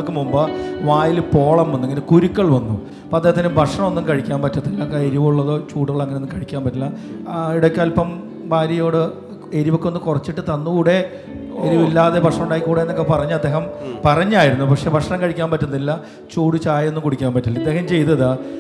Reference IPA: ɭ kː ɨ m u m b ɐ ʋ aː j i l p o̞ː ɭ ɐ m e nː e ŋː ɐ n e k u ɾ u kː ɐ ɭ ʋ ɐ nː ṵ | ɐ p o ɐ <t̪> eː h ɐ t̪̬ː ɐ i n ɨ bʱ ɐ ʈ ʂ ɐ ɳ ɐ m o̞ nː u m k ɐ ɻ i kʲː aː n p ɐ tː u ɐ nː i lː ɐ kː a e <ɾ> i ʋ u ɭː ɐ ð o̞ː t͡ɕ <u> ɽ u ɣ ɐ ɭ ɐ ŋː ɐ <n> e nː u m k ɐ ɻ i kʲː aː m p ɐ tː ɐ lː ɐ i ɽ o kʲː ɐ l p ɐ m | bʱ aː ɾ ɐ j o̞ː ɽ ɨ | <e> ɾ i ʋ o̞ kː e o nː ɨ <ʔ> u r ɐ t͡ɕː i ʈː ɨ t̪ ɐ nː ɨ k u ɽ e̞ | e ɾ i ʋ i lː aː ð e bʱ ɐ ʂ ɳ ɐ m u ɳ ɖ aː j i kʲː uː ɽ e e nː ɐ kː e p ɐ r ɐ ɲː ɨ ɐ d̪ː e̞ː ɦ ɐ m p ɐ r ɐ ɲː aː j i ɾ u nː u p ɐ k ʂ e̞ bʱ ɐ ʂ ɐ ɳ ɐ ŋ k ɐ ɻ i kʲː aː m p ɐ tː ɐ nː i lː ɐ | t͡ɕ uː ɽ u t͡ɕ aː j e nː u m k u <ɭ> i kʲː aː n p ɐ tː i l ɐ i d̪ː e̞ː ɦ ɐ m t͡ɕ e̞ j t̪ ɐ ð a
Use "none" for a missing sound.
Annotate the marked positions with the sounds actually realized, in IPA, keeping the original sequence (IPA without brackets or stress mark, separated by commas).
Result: d̪, ɾ, uː, n, e, k, ɽ